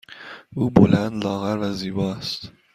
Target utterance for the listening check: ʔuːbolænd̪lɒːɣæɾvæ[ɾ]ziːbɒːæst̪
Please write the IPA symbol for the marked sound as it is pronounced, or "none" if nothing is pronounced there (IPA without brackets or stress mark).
none